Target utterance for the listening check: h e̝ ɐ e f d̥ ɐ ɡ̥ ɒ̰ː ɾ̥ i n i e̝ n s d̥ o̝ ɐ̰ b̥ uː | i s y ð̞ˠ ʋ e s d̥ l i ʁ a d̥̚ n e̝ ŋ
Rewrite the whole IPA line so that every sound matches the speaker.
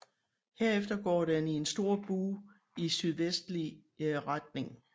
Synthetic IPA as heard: h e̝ ɐ e f d̥ ɐ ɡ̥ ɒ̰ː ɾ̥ e n i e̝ n s d̥ o̝ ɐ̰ b̥ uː | i s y ð̞ˠ ʋ e s d̥ l i ʁ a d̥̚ n e̝ ŋ